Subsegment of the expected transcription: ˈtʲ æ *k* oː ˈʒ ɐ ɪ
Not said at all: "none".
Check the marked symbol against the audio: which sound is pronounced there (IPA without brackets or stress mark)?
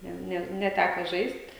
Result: k